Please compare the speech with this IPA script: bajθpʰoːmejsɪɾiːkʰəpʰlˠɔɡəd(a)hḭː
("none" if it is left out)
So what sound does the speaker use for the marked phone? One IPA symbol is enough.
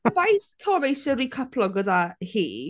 a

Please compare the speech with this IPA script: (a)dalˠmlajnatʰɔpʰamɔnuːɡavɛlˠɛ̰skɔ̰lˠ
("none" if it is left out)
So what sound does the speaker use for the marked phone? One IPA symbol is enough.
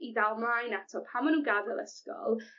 i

